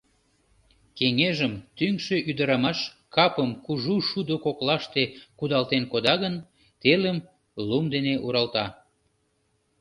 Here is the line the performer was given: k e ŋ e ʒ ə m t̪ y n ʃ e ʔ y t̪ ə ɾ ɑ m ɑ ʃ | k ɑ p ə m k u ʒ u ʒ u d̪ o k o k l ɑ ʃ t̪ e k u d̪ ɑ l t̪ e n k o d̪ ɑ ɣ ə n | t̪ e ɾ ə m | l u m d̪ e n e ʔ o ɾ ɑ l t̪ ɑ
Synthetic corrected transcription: k e ŋ e ʒ ə m t̪ y ŋ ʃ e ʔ y d̪ ə ɾ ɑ m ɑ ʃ | k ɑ p ə m k u ʒ u ʃ u d̪ o k o k l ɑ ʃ t̪ e k u d̪ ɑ l t̪ e n k o d̪ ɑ ɣ ə n | t̪ e l ə m | l u m d̪ e n e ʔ u ɾ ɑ l t̪ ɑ